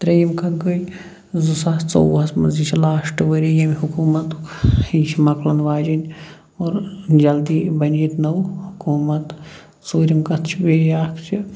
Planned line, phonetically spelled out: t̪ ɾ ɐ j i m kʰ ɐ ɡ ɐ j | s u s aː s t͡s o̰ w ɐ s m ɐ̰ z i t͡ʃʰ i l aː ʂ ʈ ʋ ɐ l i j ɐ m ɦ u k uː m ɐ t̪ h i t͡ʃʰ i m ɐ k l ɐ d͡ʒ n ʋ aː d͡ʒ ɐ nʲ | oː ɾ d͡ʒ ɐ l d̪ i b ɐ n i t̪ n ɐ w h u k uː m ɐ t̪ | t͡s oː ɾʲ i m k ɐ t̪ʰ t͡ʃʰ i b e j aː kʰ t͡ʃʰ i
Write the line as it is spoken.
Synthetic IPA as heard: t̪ ɾ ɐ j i m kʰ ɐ ɡ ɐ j | z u s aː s t͡s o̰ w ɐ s m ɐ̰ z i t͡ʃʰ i l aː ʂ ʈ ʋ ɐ ɾ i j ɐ m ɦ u k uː m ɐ t̪ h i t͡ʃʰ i m ɐ k l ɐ n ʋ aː d͡ʒ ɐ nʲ | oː ɾ d͡ʒ ɐ l d̪ i b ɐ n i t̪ n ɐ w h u k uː m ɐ t̪ | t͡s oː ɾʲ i m k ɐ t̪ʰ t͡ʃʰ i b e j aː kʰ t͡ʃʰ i

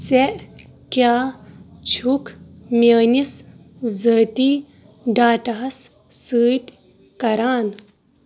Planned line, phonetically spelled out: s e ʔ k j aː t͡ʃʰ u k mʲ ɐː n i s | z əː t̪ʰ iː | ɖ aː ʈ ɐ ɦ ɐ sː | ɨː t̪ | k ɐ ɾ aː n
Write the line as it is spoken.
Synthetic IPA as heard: s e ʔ k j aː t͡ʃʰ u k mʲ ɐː n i s | z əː t̪ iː | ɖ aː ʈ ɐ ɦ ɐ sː | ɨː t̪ | k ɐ ɾ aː n

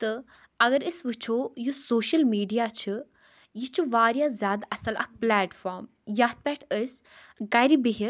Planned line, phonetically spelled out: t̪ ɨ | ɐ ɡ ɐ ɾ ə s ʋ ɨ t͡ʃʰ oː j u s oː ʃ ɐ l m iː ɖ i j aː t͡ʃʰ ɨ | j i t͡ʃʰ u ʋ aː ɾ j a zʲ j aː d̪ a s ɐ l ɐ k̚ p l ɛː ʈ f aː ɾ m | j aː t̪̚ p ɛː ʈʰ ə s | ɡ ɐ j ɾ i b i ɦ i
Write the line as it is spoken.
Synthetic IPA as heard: t̪ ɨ | ɐ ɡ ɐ ɾ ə s ʋ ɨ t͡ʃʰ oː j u s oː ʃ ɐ l m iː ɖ i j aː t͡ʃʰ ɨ | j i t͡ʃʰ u ʋ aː ɾ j a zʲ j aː d̪ ɐ s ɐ l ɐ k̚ p l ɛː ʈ f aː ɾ m | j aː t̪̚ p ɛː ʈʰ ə s | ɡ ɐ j ɾ i b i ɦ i

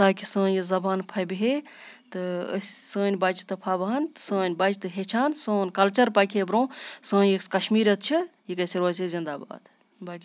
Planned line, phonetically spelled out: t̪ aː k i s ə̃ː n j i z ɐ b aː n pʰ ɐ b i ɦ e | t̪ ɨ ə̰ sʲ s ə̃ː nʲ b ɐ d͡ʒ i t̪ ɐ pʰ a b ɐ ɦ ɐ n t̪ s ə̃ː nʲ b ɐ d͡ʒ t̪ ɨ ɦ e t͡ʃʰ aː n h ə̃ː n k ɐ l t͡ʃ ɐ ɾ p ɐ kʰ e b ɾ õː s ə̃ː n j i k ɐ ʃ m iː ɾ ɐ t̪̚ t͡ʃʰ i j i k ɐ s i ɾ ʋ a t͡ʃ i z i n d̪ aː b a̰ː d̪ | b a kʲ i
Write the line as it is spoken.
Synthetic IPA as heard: t̪ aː k i s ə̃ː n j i z ɐ b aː n pʰ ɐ b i ɦ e | t̪ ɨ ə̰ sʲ s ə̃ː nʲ b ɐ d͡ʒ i t̪ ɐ pʰ a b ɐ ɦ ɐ n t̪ s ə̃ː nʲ b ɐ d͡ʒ t̪ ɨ ɦ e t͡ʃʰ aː n s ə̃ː n k ɐ l t͡ʃ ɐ ɾ p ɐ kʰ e b ɾ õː s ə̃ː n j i k ɐ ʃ m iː ɾ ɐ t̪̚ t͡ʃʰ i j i k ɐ s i ɾ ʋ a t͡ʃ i z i n d̪ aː b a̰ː d̪ | b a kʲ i

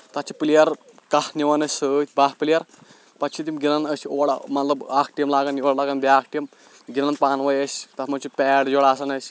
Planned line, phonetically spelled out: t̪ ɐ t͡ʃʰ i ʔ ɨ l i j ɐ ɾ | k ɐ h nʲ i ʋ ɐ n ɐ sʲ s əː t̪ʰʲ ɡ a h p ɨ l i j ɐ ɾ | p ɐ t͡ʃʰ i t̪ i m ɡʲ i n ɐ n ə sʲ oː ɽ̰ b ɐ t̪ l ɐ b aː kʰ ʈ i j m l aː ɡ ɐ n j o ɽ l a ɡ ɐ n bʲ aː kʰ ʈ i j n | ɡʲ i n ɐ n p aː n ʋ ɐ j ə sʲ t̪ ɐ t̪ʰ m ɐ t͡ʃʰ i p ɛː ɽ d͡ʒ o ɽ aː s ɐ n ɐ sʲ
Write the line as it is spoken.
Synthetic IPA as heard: t̪ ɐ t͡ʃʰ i p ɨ l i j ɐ ɾ | k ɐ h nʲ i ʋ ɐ n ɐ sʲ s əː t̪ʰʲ b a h p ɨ l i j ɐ ɾ | p ɐ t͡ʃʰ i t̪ i m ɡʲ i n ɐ n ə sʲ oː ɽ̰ m ɐ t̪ l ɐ b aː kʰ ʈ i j m l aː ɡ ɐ n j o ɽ l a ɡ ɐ n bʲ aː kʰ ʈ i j m | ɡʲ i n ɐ n p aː n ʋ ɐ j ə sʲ t̪ ɐ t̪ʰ m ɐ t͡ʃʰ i p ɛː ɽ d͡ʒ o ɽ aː s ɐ n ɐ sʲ

